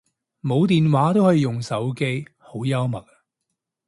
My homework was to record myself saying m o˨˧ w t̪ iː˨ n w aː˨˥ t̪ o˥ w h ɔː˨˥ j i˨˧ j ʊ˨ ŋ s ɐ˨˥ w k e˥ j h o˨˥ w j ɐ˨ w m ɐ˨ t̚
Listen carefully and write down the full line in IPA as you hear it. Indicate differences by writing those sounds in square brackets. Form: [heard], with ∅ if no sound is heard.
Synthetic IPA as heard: m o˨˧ w t̪ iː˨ n w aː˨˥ t̪ o˥ w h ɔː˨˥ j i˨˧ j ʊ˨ ŋ s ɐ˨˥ w k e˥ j h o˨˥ w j [ɐ˥] w m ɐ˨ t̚

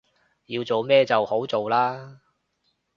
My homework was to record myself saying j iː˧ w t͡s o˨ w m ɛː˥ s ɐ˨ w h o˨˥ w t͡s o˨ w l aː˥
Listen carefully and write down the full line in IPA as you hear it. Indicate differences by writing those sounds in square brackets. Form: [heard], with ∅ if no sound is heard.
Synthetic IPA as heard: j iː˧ w t͡s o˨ w m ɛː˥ [t͡s] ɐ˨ w h o˨˥ w t͡s o˨ w l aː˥

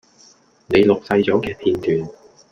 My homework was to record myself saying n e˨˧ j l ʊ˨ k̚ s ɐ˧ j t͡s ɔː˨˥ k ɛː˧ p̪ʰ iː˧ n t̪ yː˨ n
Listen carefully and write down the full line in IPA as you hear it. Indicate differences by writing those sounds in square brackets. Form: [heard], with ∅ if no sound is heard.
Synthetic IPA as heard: n e˨˧ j l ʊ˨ k̚ s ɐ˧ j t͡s ɔː˨˥ k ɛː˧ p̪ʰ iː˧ n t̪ yː˨ n

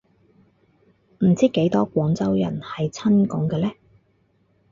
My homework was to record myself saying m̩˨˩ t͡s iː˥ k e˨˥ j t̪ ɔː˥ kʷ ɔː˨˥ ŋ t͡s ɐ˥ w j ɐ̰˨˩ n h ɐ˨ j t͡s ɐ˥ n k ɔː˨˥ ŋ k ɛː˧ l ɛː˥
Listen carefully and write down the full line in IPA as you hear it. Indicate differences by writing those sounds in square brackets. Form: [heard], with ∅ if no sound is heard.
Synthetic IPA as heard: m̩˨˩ t͡s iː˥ k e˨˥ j t̪ ɔː˥ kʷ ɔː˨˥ ŋ t͡s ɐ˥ w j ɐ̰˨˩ n h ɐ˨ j [t͡sʰ] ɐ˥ n k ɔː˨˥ ŋ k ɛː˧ l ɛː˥

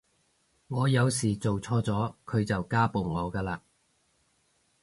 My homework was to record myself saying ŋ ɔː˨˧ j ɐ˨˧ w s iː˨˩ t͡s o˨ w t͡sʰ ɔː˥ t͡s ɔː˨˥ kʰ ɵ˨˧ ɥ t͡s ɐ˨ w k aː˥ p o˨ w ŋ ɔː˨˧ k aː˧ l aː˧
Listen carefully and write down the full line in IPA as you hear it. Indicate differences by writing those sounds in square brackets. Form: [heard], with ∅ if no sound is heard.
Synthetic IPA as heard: ŋ ɔː˨˧ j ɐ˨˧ w s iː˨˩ t͡s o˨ w t͡sʰ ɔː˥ t͡s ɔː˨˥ kʰ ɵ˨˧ ɥ t͡s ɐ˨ w k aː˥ p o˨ w ŋ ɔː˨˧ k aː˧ l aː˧

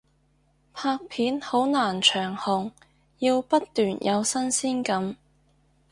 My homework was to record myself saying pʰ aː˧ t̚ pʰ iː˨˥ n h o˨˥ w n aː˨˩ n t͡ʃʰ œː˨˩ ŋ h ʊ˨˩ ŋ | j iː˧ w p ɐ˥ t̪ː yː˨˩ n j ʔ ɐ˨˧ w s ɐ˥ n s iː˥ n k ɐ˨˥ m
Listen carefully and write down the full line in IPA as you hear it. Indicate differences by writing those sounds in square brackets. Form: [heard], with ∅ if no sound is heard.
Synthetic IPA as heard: pʰ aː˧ [k̚] pʰ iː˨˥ n h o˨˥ w n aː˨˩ n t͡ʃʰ œː˨˩ ŋ h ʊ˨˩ ŋ | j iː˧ w p ɐ˥ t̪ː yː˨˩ n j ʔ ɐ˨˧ w s ɐ˥ n s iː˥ n k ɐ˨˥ m

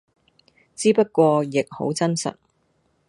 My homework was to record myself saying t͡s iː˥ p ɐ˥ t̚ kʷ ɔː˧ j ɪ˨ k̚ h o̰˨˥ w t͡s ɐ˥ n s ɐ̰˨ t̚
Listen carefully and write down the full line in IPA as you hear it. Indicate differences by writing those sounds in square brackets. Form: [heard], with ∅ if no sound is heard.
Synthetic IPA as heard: t͡s iː˥ p ɐ˥ t̚ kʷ ɔː˧ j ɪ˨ k̚ h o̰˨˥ w t͡s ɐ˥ n s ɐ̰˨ t̚

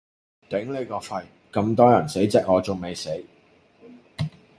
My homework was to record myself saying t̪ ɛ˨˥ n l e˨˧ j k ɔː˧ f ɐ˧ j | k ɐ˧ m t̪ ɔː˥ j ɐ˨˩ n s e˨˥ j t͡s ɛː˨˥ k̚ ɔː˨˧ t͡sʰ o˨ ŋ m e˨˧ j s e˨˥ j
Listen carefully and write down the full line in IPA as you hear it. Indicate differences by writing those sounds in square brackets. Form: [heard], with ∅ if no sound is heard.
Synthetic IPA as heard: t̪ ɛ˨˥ [ŋ] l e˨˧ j k ɔː˧ f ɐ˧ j | k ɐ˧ m t̪ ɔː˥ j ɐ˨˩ n s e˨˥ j t͡s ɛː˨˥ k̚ ɔː˨˧ [t͡s] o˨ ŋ m e˨˧ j s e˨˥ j

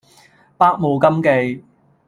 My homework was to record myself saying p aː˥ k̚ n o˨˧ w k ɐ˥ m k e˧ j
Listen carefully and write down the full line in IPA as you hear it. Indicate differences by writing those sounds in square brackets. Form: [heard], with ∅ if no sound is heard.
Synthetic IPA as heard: p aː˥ k̚ [m] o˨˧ w k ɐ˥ m k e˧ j

